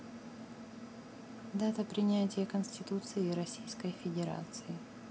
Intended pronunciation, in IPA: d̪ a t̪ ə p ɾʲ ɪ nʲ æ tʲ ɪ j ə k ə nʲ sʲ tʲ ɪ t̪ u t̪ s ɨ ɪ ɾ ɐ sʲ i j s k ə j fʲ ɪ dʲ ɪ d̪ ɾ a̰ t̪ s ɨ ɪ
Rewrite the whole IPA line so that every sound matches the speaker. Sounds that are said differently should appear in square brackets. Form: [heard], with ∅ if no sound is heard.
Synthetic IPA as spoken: d̪ a t̪ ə p ɾʲ ɪ nʲ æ tʲ ɪ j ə k ə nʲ sʲ tʲ ɪ t̪ u t̪ s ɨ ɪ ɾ ɐ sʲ i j s k ə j fʲ ɪ dʲ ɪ [∅] ɾ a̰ t̪ s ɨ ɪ